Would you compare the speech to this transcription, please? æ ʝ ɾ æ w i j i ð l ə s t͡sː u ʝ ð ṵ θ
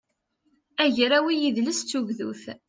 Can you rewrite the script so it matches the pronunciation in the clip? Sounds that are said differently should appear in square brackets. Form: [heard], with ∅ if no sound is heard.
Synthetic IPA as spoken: æ ʝ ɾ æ w i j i ð l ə s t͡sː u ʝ ð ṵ θ